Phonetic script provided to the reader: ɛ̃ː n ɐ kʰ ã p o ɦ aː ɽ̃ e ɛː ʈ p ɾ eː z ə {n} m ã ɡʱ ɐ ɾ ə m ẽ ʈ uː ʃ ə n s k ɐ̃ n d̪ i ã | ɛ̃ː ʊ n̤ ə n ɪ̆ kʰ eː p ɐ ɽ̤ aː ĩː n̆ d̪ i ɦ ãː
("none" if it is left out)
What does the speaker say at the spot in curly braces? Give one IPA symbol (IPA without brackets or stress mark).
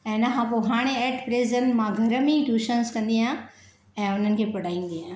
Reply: n